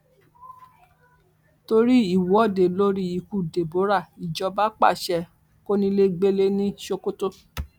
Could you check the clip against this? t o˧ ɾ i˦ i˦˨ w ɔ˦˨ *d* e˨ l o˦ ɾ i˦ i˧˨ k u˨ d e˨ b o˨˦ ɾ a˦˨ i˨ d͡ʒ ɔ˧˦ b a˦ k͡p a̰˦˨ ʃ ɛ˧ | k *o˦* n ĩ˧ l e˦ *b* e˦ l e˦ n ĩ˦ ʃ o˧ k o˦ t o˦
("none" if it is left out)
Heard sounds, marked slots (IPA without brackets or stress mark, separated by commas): d, o˦, ɡ͡b